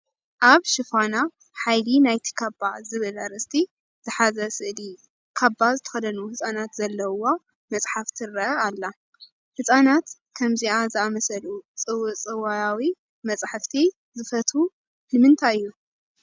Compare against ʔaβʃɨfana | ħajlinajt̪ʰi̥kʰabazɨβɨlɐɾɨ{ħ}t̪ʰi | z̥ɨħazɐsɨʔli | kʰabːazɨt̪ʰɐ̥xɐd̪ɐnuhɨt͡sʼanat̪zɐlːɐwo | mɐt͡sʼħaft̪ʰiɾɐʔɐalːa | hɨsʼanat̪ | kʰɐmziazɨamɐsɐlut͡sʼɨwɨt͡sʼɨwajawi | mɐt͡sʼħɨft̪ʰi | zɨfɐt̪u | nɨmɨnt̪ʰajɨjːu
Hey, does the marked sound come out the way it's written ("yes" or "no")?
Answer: no